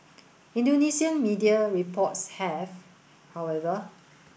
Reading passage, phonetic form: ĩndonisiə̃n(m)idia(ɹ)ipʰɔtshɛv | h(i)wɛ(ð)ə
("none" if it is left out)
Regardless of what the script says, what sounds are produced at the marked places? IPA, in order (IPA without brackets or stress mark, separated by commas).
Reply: m, ɹ, a, v